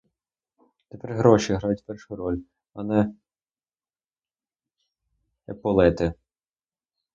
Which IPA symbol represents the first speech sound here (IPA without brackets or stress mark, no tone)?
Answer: t̪